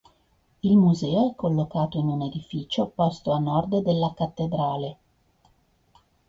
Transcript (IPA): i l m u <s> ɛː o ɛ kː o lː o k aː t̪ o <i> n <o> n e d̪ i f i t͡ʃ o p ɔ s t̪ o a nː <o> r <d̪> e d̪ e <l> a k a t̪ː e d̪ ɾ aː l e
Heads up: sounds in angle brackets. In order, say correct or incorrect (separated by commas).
incorrect, correct, incorrect, incorrect, correct, incorrect